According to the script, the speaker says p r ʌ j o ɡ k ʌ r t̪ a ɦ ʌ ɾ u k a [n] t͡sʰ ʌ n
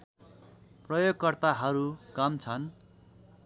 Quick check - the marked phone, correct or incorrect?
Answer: incorrect